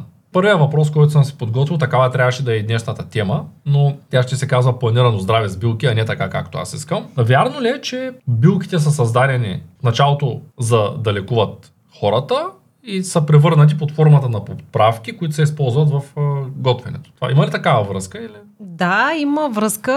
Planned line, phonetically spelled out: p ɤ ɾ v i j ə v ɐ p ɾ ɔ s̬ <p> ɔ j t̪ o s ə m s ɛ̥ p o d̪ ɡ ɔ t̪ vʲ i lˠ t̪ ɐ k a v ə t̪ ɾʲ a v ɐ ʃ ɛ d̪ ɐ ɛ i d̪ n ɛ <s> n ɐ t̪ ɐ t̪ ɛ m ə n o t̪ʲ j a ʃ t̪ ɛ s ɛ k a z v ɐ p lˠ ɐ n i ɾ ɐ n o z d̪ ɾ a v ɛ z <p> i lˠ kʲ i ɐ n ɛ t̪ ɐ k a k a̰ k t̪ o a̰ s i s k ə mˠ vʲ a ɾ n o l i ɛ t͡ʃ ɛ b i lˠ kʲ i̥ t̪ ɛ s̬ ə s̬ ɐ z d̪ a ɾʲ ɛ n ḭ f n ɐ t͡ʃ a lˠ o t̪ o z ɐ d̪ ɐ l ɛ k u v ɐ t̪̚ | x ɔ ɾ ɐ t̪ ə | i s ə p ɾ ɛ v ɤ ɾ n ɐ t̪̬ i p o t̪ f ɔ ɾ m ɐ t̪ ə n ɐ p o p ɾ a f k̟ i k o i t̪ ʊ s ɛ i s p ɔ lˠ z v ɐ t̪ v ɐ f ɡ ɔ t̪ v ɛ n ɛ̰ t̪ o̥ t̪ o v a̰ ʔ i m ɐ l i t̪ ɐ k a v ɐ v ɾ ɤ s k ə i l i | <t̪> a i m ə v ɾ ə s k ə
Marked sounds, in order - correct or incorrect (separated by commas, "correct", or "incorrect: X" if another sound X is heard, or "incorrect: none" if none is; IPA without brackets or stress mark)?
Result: incorrect: k, incorrect: ʃ, incorrect: b, incorrect: d̪